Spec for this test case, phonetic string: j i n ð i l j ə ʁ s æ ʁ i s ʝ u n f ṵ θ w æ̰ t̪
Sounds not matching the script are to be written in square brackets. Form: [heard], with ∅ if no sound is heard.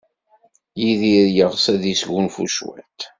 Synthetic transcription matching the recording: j i [∅] ð i [ɾ] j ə ʁ s æ [ð] i s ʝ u n f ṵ [ʃ] w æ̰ t̪